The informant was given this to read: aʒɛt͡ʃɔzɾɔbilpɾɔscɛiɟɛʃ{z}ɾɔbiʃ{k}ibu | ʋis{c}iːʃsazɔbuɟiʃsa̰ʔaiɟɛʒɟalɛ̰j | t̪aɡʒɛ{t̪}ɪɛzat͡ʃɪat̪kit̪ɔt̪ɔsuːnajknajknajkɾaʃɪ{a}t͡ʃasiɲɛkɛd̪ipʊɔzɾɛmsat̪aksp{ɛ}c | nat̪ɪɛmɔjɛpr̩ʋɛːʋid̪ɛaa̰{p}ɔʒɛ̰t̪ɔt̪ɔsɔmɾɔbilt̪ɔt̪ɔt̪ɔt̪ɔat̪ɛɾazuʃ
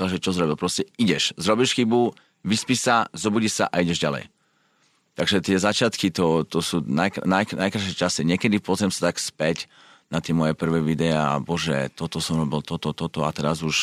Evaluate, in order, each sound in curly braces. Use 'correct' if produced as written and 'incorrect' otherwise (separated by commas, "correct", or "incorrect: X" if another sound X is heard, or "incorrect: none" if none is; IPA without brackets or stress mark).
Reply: correct, incorrect: x, incorrect: p, correct, incorrect: ɛ, correct, incorrect: b